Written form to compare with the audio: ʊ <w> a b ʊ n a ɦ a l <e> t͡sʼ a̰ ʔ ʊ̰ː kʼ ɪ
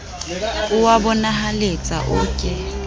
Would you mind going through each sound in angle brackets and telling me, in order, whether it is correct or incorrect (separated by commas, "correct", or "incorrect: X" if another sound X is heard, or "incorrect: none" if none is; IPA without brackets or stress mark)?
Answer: correct, correct